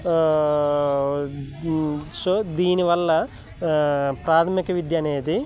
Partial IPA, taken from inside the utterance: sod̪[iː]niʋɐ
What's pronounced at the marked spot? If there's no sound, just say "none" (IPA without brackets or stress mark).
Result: iː